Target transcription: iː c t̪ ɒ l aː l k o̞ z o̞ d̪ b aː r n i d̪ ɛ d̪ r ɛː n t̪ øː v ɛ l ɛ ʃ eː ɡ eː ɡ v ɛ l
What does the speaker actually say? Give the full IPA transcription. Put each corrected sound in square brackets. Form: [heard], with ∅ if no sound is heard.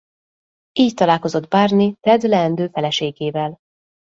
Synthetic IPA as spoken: iː c t̪ ɒ l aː l k o̞ z o̞ d̪ b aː r n i [t̪] ɛ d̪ [l] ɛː n [d̪] øː [f] ɛ l ɛ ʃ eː ɡ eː [∅] v ɛ l